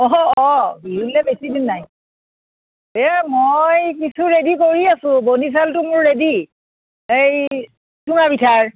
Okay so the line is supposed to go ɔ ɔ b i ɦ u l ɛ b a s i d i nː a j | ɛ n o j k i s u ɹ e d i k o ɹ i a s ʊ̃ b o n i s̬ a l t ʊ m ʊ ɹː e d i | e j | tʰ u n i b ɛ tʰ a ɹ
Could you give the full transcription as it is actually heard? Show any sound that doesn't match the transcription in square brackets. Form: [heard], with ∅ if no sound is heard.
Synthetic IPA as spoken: ɔ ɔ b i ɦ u l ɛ b [e] s i d i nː a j | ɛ [m] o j k i s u ɹ e d i k o ɹ i a s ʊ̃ b o n i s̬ a l t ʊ m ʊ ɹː e d i | e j | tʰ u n [a] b [i] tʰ a ɹ